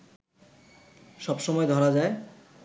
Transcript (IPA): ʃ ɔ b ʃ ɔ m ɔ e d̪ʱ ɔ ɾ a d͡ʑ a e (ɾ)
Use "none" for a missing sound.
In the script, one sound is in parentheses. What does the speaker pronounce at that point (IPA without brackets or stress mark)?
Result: none